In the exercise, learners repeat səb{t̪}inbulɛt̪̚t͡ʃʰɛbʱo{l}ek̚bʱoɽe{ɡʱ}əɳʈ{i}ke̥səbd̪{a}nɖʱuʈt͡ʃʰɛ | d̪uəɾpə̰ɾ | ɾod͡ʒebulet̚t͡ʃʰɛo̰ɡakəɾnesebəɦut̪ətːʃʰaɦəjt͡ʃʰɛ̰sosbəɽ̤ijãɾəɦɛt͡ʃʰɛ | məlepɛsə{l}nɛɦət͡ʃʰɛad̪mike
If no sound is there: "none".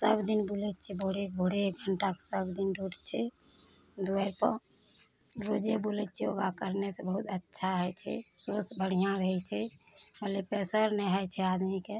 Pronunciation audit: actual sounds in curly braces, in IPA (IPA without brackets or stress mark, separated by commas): d̪, ɽ, ɡʱ, a, i, ɾ